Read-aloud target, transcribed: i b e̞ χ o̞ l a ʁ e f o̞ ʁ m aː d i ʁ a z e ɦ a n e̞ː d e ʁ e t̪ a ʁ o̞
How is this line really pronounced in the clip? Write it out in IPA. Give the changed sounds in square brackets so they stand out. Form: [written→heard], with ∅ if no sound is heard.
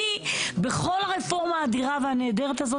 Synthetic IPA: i b e̞ χ o̞ l a ʁ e f o̞ ʁ m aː d i ʁ a [z→v] e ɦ a n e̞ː d e ʁ e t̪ a [ʁ→z] o̞